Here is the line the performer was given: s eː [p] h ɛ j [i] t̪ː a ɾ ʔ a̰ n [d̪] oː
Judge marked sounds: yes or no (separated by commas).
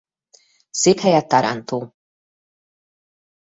yes, no, no